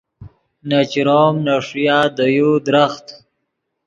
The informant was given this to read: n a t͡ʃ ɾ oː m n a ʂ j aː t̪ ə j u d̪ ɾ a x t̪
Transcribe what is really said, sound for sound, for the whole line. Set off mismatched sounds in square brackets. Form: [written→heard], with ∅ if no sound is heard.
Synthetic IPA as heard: n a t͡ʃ ɾ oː m n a ʂ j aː [t̪→d̪] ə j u d̪ ɾ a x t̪

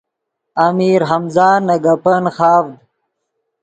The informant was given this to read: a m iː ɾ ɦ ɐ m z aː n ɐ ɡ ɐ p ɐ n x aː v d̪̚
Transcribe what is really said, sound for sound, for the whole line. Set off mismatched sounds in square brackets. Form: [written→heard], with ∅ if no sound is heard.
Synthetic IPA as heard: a m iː ɾ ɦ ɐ m z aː n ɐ ɡ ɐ p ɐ n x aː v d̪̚

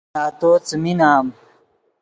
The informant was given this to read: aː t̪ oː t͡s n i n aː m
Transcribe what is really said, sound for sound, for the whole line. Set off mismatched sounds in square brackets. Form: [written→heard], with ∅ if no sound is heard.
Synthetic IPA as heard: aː t̪ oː t͡s [n→m] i n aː m

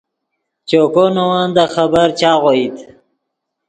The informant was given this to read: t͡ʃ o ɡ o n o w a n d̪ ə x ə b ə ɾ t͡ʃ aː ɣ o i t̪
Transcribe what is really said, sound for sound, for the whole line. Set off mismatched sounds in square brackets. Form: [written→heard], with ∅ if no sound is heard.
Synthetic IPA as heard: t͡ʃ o [ɡ→k] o n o w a n d̪ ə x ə b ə ɾ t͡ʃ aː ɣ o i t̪

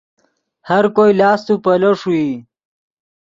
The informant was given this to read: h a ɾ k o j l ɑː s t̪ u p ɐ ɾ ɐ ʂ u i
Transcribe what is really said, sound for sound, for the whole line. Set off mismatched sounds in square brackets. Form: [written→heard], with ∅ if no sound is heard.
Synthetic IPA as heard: h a ɾ k o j l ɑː s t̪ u p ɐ [ɾ→l] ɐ ʂ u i

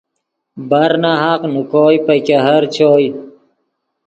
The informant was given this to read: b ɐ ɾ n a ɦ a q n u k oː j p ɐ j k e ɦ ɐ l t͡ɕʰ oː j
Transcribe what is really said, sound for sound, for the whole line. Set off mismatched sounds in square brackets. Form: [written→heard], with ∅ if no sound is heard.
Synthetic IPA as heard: b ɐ ɾ n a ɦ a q n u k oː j p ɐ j k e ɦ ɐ [l→ɾ] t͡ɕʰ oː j

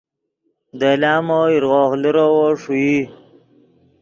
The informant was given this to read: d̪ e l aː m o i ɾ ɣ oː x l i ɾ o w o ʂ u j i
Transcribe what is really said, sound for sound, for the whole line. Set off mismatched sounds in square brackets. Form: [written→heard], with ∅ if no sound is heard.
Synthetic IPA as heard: d̪ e l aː m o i ɾ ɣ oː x l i ɾ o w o ʂ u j i

